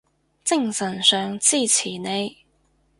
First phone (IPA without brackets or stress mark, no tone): t͡s